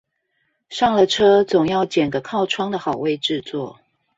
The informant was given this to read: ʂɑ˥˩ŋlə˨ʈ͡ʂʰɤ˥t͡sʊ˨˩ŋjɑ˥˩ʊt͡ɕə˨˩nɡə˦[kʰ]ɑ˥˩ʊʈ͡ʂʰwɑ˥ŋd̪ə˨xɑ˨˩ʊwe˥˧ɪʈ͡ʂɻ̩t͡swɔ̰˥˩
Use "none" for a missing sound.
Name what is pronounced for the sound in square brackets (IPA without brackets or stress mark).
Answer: kʰ